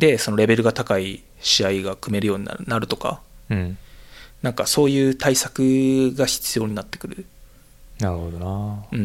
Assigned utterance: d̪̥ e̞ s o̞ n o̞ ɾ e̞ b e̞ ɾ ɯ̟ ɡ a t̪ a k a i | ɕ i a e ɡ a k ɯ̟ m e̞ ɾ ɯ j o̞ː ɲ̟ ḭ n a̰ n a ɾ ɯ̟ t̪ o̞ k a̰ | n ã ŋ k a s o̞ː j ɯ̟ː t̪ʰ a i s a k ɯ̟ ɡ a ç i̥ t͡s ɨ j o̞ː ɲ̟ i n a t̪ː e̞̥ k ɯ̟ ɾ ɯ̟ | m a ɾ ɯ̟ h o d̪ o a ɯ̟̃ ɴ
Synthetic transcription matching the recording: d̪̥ e̞ s o̞ n o̞ ɾ e̞ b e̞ ɾ ɯ̟ ɡ a t̪ a k a i | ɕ i a i ɡ a k ɯ̟ m e̞ ɾ ɯ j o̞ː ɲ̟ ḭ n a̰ n a ɾ ɯ̟ t̪ o̞ k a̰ | n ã ŋ k a s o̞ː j ɯ̟ː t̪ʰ a i s a k ɯ̟ ɡ a ç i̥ t͡s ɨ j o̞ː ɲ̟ i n a t̪ː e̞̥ k ɯ̟ ɾ ɯ̟ | n a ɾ ɯ̟ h o d̪ o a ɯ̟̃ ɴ